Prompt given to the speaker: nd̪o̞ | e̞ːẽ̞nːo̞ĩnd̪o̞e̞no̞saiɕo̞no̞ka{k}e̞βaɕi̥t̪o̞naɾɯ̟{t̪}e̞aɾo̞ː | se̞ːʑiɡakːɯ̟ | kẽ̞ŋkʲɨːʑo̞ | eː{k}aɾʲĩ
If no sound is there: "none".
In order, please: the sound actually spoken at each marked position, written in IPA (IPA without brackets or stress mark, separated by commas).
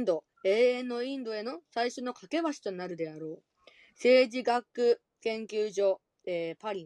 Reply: k, d̪, p